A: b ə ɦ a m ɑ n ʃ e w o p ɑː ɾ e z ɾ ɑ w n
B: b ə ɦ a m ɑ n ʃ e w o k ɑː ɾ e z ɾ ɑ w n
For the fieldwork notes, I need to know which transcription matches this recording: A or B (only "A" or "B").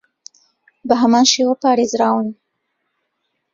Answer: A